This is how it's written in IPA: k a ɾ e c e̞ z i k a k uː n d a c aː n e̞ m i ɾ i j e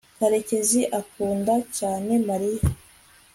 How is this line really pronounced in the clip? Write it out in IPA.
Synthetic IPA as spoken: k a ɾ e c e̞ z i ʔ a k uː n d a c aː n e̞ m a ɾ i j a